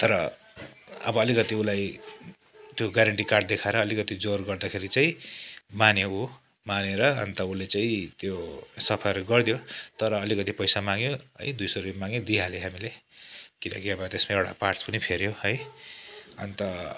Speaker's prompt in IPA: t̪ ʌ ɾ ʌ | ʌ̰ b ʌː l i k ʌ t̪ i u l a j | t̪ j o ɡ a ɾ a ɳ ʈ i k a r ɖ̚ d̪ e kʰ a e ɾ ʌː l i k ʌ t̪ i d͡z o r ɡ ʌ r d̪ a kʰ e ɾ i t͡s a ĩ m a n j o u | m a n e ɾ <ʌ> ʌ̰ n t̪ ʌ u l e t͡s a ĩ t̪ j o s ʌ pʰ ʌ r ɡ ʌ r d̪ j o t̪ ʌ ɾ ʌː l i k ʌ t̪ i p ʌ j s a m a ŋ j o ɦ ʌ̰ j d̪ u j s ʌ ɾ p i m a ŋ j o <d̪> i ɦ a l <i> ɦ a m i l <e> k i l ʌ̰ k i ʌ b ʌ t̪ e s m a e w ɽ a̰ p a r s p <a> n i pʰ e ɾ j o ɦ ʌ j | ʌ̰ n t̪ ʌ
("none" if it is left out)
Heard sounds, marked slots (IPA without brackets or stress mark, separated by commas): ʌ, d̪, e, e, ʌ